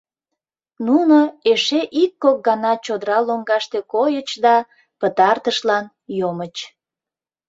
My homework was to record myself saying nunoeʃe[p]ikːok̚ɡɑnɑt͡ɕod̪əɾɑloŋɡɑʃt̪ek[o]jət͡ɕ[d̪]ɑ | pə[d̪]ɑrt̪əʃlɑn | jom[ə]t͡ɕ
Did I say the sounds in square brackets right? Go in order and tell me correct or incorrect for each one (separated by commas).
incorrect, correct, correct, incorrect, correct